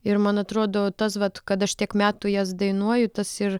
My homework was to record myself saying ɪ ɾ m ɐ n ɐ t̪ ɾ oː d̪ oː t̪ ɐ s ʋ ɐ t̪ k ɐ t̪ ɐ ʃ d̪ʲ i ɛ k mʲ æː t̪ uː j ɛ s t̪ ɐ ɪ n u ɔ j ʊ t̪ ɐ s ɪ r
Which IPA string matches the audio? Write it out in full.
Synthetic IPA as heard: ɪ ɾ m ɐ n ɐ t̪ ɾ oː d̪ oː t̪ ɐ s ʋ ɐ t̪ k ɐ t̪ ɐ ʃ t̪ʲ i ɛ k mʲ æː t̪ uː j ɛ s d̪ ɐ ɪ n u ɔ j ʊ t̪ ɐ s ɪ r